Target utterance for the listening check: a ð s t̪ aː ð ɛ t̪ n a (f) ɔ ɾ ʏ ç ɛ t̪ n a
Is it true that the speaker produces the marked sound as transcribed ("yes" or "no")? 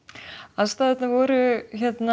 no